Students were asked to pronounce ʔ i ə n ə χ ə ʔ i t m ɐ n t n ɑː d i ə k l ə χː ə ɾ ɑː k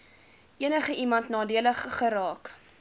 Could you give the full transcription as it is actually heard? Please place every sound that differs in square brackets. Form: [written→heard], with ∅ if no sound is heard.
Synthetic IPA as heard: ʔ i ə n ə χ ə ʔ i [t→∅] m ɐ n t n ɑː d i ə [k→∅] l ə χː ə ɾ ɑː k